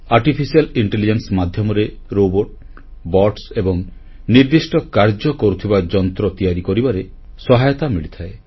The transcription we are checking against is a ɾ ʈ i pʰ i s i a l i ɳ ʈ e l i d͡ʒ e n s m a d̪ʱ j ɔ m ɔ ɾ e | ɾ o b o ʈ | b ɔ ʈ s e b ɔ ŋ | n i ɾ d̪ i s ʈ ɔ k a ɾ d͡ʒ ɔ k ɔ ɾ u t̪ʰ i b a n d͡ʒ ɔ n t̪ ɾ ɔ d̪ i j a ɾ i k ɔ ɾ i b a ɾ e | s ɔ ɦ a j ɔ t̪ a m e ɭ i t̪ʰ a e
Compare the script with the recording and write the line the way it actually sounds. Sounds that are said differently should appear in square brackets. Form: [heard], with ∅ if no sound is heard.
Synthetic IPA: a ɾ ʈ i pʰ i s i a l i ɳ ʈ e l i d͡ʒ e n s m a d̪ʱ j ɔ m ɔ ɾ e | ɾ o b o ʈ | b ɔ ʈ s e b ɔ ŋ | n i ɾ d̪ i s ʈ ɔ k a ɾ d͡ʒ ɔ k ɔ ɾ u t̪ʰ i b a [∅] d͡ʒ ɔ n t̪ ɾ ɔ [t̪] i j a ɾ i k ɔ ɾ i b a ɾ e | s ɔ ɦ a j ɔ t̪ a m [i] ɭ i t̪ʰ a e